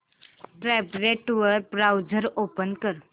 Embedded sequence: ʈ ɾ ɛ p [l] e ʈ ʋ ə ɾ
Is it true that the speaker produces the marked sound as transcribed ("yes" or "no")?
no